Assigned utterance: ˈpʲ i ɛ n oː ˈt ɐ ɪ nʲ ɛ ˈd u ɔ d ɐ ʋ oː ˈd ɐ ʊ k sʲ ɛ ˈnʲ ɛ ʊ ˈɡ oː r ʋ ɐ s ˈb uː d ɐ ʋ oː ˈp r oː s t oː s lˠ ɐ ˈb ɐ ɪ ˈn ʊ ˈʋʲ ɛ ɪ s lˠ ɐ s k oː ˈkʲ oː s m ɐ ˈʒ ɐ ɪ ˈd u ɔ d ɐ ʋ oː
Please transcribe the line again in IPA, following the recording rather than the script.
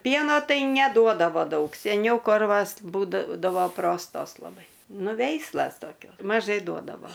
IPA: ˈpʲ i ɛ n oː ˈt ɐ ɪ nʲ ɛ ˈd u ɔ d ɐ ʋ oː ˈd ɐ ʊ k sʲ ɛ ˈnʲ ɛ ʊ ˈk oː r ʋ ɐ s ˈb uː d ɐ ʋ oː ˈp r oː s t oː s lˠ ɐ ˈb ɐ ɪ ˈn ʊ ˈʋʲ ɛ ɪ s lˠ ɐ s t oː ˈkʲ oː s m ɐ ˈʒ ɐ ɪ ˈd u ɔ d ɐ ʋ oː

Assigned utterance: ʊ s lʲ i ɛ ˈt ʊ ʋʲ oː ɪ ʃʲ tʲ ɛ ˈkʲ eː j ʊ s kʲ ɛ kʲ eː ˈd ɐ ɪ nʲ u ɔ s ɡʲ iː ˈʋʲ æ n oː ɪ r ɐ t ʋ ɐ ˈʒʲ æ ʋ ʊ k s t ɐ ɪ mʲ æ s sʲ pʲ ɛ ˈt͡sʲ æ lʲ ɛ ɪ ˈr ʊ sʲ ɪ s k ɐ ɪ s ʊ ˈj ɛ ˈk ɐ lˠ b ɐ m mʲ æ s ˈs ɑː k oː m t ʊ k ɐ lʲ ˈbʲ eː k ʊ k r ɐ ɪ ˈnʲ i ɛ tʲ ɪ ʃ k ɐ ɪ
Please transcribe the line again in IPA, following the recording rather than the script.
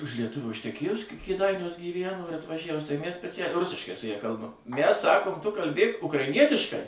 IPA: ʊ ʃ lʲ i ɛ ˈt ʊ ʋʲ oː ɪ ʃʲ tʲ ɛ ˈkʲ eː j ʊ s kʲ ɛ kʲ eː ˈd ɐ ɪ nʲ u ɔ s ɡʲ iː ˈʋʲ æ n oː ɪ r ɐ t ʋ ɐ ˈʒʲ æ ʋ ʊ s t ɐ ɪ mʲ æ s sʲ pʲ ɛ ˈt͡sʲ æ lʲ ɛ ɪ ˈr ʊ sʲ ɪ ʃ k ɐ ɪ s ʊ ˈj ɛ ˈk ɐ lˠ b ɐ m mʲ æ s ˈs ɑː k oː m t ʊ k ɐ lʲ ˈbʲ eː k ʊ k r ɐ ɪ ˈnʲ i ɛ tʲ ɪ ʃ k ɐ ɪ

